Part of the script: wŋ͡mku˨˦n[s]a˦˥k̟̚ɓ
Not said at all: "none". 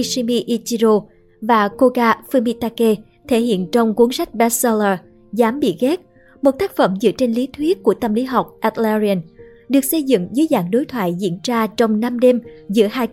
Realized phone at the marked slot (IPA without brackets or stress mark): s